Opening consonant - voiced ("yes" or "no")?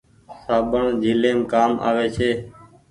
no